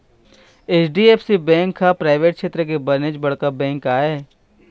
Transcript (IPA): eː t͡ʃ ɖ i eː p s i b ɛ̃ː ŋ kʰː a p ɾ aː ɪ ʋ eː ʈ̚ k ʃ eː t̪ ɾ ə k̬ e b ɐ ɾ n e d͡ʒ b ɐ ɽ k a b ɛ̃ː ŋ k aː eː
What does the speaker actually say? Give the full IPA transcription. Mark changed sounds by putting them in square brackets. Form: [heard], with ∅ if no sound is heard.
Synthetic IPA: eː t͡ʃ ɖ i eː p s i b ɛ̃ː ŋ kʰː a p ɾ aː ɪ ʋ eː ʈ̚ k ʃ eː t̪ ɾ ə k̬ e b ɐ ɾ n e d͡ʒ b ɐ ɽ k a b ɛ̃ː ŋ k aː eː